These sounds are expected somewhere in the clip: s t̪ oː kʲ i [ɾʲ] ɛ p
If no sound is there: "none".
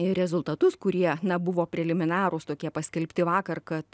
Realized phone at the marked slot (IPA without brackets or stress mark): none